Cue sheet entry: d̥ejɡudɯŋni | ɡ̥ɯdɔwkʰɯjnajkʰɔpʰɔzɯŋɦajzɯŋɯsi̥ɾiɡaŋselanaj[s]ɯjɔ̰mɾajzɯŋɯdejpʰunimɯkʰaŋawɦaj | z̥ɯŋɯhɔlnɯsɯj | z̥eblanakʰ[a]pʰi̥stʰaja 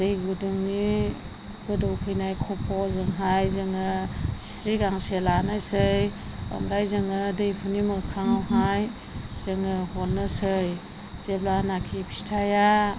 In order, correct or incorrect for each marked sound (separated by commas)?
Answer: correct, incorrect